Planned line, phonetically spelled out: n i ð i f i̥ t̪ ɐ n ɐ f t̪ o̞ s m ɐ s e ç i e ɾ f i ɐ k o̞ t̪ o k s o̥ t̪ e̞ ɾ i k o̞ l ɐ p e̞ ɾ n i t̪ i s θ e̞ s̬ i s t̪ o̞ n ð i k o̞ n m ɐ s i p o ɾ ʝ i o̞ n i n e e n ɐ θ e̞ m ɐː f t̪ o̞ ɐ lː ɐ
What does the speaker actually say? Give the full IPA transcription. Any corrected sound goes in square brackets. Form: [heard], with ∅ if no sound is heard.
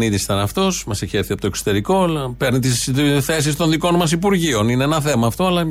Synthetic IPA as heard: n i ð i [s] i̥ t̪ ɐ n ɐ f t̪ o̞ s m ɐ s e ç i e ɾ [θ] i ɐ [p] o̞ t̪ o k s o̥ t̪ e̞ ɾ i k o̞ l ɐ p e̞ ɾ n i t̪ i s θ e̞ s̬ i s t̪ o̞ n ð i k o̞ n m ɐ s i p [u] ɾ ʝ i o̞ n i n e e n ɐ θ e̞ m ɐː f t̪ o̞ ɐ [l] ɐ